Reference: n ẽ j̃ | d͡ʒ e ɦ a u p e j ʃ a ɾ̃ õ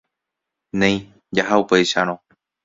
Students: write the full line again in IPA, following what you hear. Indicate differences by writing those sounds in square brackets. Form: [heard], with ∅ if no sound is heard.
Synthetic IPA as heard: n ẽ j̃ | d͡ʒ [a] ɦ a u p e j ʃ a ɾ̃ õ